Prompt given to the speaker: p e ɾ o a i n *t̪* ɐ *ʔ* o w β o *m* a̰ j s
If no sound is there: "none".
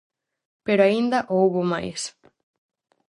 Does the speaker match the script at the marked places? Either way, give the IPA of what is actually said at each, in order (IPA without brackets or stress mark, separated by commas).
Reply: d̪, ʔ, m